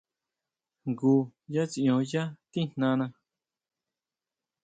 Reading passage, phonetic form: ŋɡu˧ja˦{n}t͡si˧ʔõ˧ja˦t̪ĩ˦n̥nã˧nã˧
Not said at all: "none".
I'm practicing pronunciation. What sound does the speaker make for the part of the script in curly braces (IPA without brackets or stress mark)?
none